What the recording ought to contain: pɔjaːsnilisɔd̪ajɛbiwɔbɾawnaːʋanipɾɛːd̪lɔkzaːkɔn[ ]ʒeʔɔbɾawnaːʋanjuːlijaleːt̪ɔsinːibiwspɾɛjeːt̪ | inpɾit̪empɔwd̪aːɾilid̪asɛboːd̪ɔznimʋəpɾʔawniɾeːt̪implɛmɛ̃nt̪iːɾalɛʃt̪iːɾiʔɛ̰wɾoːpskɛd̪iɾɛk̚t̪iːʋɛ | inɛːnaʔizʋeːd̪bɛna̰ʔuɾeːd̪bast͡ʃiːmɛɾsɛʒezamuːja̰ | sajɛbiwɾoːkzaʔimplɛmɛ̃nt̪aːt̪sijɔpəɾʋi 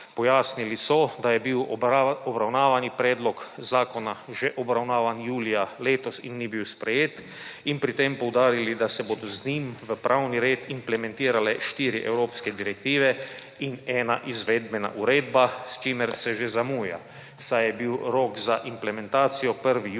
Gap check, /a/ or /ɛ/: a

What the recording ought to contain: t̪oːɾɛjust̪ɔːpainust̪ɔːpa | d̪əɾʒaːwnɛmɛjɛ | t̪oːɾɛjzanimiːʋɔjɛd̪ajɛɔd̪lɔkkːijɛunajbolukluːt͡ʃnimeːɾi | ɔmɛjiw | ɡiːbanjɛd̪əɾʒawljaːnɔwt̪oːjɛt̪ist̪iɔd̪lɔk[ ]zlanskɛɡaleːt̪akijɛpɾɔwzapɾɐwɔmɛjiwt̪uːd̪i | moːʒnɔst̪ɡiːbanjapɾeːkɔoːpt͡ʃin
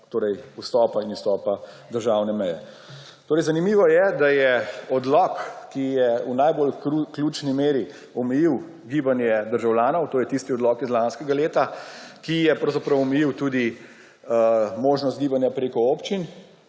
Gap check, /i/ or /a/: i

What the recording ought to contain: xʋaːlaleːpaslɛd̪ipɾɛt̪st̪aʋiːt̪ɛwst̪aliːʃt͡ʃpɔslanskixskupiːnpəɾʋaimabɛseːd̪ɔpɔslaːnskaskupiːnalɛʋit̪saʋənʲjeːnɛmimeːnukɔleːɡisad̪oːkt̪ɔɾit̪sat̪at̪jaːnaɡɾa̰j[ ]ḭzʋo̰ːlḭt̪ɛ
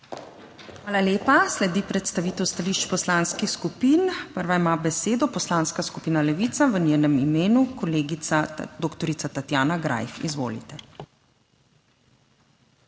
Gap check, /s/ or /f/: f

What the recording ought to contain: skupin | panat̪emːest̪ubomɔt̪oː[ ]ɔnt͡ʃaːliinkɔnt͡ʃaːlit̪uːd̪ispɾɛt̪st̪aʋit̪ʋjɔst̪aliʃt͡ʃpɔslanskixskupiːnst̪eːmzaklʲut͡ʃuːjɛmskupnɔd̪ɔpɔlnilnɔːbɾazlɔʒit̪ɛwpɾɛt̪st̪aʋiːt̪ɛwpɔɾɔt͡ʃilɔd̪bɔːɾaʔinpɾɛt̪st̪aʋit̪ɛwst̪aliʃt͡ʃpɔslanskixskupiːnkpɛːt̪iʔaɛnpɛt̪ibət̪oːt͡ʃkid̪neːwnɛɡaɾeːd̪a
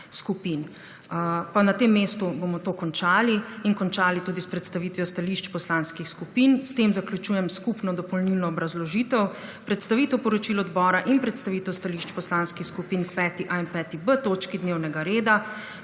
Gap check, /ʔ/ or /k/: k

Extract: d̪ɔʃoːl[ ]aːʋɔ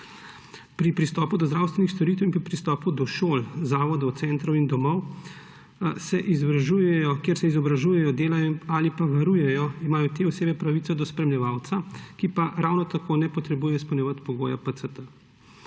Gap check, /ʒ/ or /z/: z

